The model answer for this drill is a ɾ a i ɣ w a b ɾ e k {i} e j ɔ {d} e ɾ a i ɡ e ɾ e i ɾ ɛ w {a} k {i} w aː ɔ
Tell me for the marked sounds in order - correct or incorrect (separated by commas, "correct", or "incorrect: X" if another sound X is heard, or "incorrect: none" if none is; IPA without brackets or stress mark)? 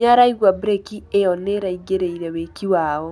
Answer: correct, incorrect: n, incorrect: e, correct